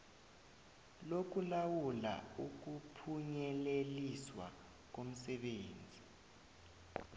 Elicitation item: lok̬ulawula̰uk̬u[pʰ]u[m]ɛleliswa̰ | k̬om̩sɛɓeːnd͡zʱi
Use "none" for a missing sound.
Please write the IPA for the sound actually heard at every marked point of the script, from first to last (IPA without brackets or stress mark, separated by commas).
pʰ, ɲ